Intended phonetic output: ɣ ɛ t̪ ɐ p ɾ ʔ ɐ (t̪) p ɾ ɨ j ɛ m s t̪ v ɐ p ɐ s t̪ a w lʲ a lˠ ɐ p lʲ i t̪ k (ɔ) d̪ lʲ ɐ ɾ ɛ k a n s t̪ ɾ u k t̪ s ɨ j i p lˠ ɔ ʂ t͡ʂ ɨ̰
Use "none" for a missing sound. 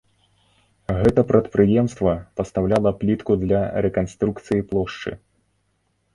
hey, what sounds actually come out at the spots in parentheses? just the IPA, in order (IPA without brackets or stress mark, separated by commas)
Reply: t̪, u